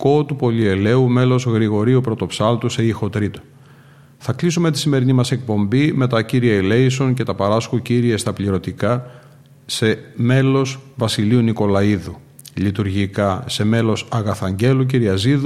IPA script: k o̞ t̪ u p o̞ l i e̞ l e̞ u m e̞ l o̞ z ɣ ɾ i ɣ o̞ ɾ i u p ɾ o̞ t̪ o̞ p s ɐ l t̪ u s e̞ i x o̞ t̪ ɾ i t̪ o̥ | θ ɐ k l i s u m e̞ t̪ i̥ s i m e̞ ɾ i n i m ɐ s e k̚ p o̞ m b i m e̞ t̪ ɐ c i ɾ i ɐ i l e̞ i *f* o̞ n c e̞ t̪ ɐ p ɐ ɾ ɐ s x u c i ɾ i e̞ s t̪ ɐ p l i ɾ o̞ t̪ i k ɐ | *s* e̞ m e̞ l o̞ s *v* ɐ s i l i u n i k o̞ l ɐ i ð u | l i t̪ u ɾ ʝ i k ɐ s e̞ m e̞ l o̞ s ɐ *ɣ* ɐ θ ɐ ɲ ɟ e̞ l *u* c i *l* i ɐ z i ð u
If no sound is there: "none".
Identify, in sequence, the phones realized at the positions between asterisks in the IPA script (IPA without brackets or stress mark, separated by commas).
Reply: s, s, v, ɣ, u, ɾ